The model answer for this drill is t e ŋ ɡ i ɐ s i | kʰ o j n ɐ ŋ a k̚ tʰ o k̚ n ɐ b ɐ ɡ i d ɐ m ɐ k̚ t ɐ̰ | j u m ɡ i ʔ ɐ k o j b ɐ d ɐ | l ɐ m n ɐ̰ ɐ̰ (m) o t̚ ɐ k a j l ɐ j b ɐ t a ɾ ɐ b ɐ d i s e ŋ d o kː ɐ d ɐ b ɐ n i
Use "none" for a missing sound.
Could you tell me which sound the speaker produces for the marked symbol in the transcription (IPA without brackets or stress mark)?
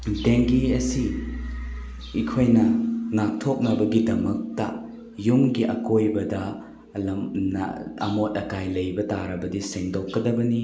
m